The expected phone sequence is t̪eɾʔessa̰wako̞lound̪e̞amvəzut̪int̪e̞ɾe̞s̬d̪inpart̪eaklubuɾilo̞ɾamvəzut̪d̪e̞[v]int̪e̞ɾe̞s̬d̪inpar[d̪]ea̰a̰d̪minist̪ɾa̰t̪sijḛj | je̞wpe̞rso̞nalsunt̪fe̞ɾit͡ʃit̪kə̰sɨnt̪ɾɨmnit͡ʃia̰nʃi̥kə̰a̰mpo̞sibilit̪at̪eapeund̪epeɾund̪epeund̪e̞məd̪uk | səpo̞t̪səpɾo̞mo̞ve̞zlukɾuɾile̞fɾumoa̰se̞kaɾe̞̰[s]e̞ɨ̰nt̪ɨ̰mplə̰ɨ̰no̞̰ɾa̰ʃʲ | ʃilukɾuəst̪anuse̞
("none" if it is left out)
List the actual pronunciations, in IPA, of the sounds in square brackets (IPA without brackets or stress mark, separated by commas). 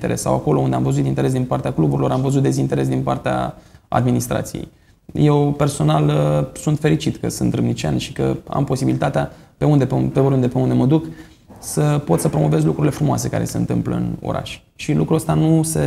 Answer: z, t̪, s